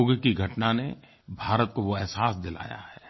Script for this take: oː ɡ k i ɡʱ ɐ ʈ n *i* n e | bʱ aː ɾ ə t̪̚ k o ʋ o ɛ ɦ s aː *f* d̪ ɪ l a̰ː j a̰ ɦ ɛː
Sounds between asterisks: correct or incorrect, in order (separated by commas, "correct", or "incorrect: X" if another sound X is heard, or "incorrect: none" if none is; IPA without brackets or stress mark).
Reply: incorrect: a, incorrect: s